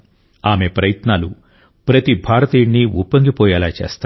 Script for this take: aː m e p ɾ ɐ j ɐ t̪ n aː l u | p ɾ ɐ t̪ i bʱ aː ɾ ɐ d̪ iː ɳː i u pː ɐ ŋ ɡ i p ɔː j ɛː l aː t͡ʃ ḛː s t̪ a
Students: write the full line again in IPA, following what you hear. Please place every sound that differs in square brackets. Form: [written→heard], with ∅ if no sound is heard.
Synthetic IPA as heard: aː m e p ɾ ɐ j ɐ t̪ n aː l u | p ɾ ɐ t̪ i bʱ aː ɾ ɐ [d̪→t̪] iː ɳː i u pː ɐ ŋ ɡ i p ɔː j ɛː l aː t͡ʃ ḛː s t̪ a

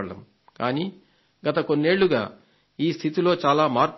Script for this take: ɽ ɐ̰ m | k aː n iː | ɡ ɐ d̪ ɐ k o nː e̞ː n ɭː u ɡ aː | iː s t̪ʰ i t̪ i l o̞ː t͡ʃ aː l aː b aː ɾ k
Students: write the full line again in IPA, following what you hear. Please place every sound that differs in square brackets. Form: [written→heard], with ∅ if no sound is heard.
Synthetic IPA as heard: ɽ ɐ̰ m | k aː n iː | ɡ ɐ [d̪→t̪] ɐ k o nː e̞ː [n→∅] ɭː u ɡ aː | iː s t̪ʰ i t̪ i l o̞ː t͡ʃ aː l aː [b→m] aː ɾ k

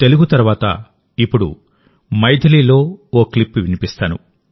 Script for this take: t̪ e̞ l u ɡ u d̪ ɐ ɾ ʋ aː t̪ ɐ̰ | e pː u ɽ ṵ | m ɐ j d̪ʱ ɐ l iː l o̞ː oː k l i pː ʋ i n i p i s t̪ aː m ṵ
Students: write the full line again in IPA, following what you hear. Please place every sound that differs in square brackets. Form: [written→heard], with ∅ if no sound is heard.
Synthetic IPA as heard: t̪ e̞ l u ɡ u [d̪→t̪] ɐ ɾ ʋ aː t̪ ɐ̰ | [e→i] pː u ɽ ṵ | m ɐ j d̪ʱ ɐ l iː l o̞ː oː k l i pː ʋ i n i p i s t̪ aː [m→n] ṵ

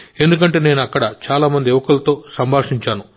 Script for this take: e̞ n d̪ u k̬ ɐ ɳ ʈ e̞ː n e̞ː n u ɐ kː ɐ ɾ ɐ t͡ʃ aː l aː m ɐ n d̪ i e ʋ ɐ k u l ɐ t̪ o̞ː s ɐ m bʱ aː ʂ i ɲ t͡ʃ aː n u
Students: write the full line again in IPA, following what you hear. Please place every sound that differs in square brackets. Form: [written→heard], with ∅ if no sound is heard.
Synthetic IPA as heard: e̞ n d̪ u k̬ ɐ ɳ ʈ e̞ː n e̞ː n u ɐ kː ɐ [ɾ→ɽ] ɐ t͡ʃ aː l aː m ɐ n d̪ i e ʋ ɐ k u l ɐ t̪ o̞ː s ɐ m bʱ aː ʂ i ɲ t͡ʃ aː n u

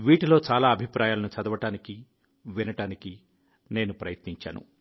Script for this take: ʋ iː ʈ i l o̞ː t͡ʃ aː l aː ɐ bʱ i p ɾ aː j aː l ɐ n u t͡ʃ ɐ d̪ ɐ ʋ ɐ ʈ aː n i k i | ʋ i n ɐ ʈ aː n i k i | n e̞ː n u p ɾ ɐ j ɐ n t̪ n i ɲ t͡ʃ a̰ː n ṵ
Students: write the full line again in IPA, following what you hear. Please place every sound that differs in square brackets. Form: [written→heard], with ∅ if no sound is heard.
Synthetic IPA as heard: ʋ iː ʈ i l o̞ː t͡ʃ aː l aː ɐ bʱ i p ɾ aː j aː l ɐ n u t͡ʃ ɐ d̪ ɐ ʋ ɐ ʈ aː n i k i | ʋ i n ɐ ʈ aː n i k i | n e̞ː n u p ɾ ɐ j ɐ [n→∅] t̪ n i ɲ t͡ʃ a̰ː n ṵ

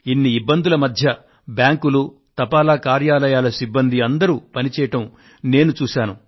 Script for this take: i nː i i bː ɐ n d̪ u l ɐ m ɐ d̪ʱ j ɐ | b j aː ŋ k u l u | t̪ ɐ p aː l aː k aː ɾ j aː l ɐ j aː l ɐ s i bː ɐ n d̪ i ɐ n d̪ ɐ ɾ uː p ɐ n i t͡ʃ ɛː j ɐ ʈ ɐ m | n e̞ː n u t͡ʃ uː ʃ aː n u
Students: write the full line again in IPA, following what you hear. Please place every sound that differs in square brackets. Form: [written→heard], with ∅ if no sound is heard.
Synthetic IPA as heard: i nː i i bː ɐ n d̪ u l ɐ m ɐ d̪ʱ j ɐ | b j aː ŋ k u l u | t̪ ɐ p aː l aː k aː ɾ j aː l ɐ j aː l ɐ s i bː ɐ n d̪ i ɐ n d̪ ɐ ɾ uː p ɐ n i t͡ʃ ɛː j ɐ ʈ ɐ m | n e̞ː n u t͡ʃ uː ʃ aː n u

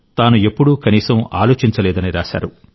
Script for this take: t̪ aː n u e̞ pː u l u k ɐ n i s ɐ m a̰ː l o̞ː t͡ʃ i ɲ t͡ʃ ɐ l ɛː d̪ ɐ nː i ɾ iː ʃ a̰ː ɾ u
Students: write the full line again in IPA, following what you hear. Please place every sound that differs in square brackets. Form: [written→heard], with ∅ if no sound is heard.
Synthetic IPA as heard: t̪ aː n u e̞ pː u [l→ɽ] u k ɐ n [i→iː] s ɐ m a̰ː l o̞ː t͡ʃ i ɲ t͡ʃ ɐ l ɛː d̪ ɐ [nː→n] i ɾ [iː→aː] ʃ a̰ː ɾ u

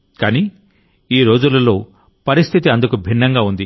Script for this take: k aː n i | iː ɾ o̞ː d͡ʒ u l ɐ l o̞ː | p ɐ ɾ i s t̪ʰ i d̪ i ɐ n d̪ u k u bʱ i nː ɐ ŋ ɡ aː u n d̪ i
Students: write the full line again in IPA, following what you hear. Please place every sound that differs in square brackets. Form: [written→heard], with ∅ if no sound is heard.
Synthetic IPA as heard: k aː n i | iː ɾ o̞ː d͡ʒ u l ɐ l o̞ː | p ɐ ɾ i s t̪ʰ i [d̪→t̪] i ɐ n d̪ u k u bʱ i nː ɐ ŋ ɡ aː u n d̪ i

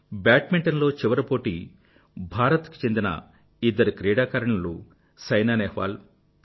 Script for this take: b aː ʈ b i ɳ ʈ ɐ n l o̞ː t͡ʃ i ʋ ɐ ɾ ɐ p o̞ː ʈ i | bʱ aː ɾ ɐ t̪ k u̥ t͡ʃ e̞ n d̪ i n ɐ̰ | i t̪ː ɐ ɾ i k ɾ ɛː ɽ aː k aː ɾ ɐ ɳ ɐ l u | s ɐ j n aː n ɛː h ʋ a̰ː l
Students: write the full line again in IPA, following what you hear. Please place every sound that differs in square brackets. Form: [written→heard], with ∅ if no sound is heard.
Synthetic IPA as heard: b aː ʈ [b→m] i ɳ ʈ ɐ n l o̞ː t͡ʃ i ʋ ɐ ɾ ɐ p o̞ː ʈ i | bʱ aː ɾ ɐ t̪ k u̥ t͡ʃ e̞ n d̪ i n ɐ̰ | i [t̪ː→d̪ː] ɐ ɾ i k ɾ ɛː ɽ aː k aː ɾ ɐ ɳ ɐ l u | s ɐ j n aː n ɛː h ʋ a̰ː l

